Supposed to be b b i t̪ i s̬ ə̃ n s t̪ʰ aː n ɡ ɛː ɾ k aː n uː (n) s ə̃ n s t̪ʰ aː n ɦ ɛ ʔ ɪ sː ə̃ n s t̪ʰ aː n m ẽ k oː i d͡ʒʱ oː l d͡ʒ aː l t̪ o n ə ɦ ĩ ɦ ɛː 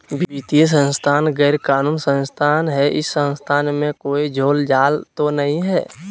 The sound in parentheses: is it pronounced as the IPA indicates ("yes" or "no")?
yes